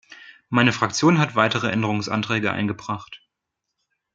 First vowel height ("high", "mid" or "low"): low